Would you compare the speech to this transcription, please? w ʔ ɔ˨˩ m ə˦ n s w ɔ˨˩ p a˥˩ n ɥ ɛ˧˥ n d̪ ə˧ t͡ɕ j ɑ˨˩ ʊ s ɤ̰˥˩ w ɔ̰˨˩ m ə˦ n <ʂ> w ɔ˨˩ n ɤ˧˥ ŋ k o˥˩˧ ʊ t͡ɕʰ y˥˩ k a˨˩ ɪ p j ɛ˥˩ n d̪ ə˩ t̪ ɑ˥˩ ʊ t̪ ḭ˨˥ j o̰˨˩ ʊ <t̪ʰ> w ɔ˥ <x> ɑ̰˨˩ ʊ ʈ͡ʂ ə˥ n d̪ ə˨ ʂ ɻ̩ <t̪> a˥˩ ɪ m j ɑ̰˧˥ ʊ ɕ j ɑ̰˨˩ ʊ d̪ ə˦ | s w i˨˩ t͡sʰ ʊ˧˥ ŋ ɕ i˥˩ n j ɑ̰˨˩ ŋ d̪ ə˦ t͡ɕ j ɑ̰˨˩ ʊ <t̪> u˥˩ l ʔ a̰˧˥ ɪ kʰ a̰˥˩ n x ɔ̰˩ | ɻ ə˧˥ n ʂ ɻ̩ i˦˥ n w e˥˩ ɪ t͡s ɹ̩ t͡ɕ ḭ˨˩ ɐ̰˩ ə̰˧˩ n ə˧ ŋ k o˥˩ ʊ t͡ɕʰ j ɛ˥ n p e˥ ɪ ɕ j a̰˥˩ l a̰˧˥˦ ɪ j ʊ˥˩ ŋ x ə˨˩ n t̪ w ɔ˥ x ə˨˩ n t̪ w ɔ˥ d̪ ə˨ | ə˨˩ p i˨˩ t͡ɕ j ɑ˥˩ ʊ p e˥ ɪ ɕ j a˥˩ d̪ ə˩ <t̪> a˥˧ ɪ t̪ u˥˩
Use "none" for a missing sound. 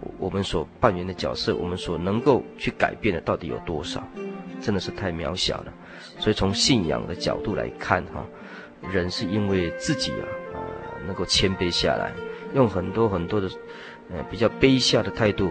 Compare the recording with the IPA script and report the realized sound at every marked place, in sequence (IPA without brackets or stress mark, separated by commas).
s, t̪, ʂ, t̪ʰ, t̪, t̪ʰ